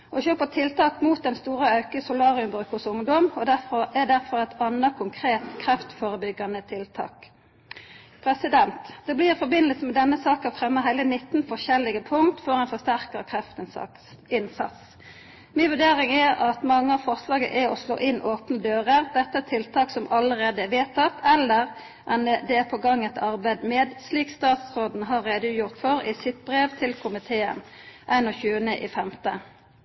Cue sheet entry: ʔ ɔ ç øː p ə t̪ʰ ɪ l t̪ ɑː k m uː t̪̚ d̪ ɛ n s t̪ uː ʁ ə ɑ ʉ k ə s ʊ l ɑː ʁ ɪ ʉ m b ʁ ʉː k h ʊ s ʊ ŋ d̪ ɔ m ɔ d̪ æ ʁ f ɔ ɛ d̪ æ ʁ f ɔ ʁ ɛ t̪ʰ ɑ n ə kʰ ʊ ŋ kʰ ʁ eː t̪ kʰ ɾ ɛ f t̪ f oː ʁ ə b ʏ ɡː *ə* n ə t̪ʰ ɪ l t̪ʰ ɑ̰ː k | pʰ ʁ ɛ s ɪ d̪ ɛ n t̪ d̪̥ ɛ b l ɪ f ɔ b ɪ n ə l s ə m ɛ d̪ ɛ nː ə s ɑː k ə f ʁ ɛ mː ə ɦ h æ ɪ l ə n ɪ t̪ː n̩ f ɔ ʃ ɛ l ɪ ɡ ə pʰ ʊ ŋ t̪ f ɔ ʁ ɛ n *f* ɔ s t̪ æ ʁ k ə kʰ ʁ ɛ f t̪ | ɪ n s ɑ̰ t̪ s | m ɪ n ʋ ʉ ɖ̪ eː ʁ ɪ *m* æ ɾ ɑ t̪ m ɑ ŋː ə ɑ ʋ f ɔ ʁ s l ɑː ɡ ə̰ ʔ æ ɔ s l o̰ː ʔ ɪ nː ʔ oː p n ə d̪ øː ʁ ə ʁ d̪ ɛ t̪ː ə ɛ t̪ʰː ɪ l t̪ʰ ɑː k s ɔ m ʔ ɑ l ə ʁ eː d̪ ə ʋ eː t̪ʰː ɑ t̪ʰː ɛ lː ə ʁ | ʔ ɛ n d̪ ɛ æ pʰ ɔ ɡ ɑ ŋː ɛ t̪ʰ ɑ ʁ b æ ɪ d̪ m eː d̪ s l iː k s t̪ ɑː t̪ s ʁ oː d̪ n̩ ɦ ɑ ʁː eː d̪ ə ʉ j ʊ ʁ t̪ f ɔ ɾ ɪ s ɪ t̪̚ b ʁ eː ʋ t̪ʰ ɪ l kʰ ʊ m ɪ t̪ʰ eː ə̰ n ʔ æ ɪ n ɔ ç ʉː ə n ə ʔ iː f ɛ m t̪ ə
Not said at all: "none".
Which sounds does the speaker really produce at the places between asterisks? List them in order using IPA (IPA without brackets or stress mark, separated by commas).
ɑ, f, ŋ